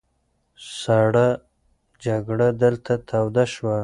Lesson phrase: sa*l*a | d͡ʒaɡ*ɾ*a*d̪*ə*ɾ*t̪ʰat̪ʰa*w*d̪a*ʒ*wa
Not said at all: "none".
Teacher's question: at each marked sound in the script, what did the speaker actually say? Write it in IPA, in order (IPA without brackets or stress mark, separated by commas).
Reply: ɽ, ɽ, d̪, l, w, ʃ